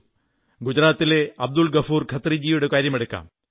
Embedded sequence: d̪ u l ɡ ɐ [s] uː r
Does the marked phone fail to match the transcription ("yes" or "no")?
yes